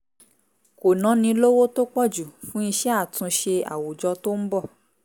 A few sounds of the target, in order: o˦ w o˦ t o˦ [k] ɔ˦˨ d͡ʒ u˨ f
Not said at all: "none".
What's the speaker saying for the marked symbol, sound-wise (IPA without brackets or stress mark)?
k͡p